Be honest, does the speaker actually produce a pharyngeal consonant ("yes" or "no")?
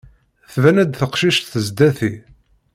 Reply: no